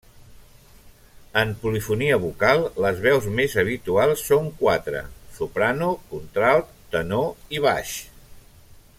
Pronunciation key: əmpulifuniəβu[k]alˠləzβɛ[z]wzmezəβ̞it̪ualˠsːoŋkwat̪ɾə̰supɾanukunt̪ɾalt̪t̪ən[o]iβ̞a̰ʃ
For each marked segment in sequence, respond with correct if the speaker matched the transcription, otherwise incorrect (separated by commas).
correct, incorrect, correct